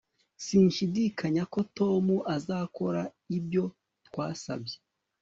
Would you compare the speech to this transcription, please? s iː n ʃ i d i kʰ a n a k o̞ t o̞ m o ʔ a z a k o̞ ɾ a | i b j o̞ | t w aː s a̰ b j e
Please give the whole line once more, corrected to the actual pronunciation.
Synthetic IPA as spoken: s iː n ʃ i d i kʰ a ɲ a k o̞ t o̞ m u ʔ a z a k o̞ ɾ a | i b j o̞ | t w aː s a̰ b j e